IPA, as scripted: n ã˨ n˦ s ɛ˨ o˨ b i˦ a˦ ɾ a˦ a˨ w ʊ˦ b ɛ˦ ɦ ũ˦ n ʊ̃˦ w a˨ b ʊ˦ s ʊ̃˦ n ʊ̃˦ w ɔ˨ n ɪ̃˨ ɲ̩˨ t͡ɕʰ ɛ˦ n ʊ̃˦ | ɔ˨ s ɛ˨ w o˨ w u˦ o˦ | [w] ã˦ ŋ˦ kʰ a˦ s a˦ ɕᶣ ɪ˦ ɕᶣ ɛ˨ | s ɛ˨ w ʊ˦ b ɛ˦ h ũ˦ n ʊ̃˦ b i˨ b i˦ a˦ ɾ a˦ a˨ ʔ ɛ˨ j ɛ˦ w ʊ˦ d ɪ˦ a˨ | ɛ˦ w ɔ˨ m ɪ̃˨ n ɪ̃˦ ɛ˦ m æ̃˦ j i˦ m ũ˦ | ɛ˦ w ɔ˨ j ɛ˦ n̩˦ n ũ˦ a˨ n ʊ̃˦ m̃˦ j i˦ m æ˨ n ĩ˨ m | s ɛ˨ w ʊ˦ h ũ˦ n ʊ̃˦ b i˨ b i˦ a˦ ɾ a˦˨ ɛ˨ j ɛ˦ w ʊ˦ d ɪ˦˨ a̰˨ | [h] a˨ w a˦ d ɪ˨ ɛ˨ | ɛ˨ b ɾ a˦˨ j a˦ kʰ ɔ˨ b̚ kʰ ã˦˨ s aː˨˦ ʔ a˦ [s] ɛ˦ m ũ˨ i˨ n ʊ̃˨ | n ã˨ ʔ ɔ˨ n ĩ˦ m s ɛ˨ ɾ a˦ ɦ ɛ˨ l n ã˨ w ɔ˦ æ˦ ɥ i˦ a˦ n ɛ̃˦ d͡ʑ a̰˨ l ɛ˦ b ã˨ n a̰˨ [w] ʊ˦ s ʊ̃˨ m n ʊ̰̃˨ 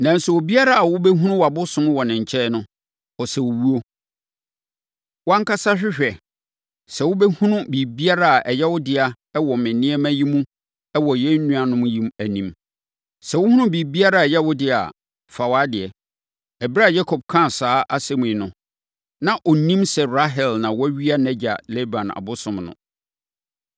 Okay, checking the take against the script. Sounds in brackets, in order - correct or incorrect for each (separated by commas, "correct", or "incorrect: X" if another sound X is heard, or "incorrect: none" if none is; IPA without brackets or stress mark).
correct, incorrect: f, correct, incorrect: b